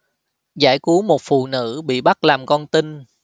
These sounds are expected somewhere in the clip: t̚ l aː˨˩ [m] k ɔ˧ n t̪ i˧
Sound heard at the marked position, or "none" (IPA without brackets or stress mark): m